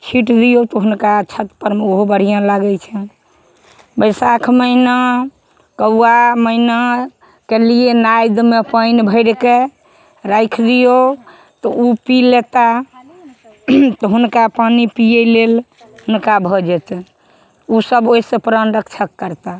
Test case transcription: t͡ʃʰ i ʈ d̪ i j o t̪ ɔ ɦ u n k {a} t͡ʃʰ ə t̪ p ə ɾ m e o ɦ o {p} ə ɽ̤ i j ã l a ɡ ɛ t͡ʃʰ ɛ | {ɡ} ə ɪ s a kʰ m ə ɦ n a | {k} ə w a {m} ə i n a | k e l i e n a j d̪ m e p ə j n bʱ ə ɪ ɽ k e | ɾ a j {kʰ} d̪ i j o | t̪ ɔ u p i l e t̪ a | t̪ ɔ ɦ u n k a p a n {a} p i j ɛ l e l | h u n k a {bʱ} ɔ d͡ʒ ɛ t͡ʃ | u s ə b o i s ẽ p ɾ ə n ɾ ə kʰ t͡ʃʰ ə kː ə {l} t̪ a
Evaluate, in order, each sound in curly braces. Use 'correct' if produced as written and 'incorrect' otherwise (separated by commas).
correct, incorrect, incorrect, correct, correct, correct, incorrect, correct, incorrect